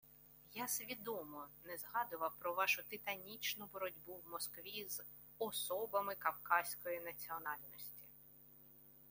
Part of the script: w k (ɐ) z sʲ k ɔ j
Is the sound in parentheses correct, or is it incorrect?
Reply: incorrect